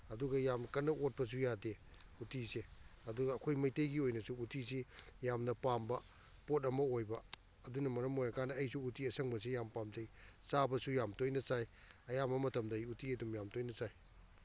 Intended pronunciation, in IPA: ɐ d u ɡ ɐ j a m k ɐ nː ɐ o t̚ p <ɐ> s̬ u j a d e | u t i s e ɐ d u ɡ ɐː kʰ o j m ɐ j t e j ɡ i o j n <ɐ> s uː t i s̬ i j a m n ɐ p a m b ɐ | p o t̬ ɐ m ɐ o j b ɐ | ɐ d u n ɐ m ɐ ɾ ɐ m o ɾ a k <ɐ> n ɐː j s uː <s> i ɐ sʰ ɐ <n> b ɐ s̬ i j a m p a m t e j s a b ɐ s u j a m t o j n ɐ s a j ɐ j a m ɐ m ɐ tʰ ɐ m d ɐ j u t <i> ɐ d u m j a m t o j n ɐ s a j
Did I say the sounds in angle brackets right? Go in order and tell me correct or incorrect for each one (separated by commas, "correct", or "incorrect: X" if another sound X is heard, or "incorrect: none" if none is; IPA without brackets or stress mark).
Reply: correct, correct, incorrect: a, incorrect: t, incorrect: ŋ, correct